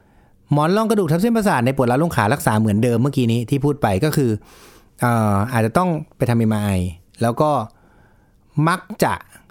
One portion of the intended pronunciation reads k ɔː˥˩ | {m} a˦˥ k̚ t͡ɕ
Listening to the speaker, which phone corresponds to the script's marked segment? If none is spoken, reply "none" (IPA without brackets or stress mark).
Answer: m